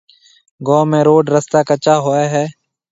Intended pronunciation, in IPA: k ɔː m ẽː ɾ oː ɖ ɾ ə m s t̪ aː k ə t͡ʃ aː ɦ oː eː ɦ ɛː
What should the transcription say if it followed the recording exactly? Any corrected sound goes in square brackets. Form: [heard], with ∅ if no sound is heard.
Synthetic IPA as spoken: [ɡ] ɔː m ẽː ɾ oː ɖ ɾ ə [∅] s t̪ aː k ə t͡ʃ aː ɦ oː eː ɦ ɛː

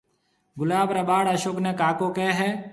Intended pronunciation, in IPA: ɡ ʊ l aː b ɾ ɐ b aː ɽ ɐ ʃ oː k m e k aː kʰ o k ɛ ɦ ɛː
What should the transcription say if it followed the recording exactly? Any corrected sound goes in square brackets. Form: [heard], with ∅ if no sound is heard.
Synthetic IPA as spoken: ɡ ʊ l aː b ɾ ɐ b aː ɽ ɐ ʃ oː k [n] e k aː [k] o k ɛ ɦ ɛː

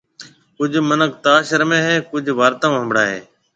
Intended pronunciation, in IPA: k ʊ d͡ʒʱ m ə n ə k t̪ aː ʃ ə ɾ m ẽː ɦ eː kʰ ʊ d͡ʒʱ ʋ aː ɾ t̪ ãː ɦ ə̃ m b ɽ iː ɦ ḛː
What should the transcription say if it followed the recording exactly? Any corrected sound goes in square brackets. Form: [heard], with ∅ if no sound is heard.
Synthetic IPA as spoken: k ʊ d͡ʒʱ m ə n ə k t̪ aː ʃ ə ɾ m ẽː ɦ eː [k] ʊ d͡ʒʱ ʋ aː ɾ t̪ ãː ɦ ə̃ m b ɽ [aː] ɦ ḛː

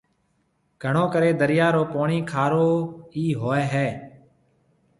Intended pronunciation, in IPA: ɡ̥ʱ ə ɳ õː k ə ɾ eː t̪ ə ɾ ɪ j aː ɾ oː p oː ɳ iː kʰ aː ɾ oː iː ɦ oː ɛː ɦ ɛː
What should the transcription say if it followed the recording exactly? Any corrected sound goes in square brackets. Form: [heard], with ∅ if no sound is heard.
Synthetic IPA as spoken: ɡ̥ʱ ə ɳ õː k ə ɾ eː [d̪] ə ɾ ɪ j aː ɾ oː p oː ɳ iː kʰ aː ɾ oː iː ɦ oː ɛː ɦ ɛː

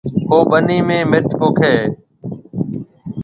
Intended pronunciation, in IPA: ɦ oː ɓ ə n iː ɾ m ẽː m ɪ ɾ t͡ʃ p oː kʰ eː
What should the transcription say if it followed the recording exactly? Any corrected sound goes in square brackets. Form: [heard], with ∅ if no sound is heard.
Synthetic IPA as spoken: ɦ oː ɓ ə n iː [∅] m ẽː m ɪ ɾ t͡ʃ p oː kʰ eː

